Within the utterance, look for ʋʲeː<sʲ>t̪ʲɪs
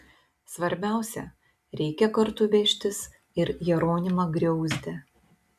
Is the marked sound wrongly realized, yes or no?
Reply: yes